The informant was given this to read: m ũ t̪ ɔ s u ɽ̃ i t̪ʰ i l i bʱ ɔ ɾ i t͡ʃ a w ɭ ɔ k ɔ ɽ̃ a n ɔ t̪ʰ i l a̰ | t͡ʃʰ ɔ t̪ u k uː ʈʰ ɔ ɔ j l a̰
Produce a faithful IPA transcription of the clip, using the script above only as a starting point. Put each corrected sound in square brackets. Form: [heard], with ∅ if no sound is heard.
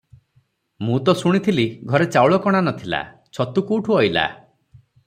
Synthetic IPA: m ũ t̪ ɔ s u ɽ̃ i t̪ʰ i l i [ɡʱ] ɔ ɾ [e] t͡ʃ a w ɭ ɔ k ɔ ɽ̃ a n ɔ t̪ʰ i l a̰ | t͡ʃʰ ɔ t̪ u k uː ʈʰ [u] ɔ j l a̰